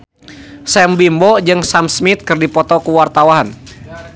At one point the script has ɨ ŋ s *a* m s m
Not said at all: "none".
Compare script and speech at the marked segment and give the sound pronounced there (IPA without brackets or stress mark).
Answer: a